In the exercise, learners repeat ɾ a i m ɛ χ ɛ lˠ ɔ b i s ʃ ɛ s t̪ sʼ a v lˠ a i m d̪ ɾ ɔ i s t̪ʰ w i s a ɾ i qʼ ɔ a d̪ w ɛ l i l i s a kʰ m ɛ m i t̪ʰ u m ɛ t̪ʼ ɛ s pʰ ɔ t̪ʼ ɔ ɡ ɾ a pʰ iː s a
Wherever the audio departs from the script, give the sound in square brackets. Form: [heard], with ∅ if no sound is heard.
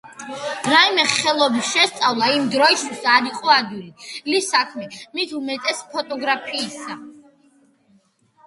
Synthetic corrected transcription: ɾ a i m ɛ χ ɛ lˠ ɔ b i s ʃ ɛ s t̪ sʼ a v lˠ a i m d̪ ɾ ɔ i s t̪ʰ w i s a ɾ i qʼ ɔ a d̪ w [i] l i l i s a kʰ m ɛ m i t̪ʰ u m ɛ t̪ʼ ɛ s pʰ ɔ t̪ʼ ɔ ɡ ɾ a pʰ iː s a